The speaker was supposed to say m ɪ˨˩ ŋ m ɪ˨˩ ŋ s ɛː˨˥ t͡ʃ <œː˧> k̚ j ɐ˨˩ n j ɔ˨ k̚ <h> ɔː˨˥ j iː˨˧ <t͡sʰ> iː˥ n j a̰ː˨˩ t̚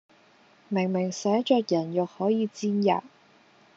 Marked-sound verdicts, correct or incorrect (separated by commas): correct, correct, incorrect